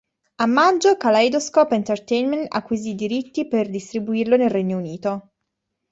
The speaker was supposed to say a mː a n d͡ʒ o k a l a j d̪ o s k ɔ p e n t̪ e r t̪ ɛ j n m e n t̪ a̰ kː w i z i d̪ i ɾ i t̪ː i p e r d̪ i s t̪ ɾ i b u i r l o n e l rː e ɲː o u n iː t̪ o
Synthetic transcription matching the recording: a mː a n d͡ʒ o k a l a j d̪ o s k ɔ p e n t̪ e r t̪ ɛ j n m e n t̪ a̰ kː w i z i d̪ i ɾ i t̪ː i p e r d̪ i s t̪ ɾ i b u i r l o n e l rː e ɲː o u n iː t̪ o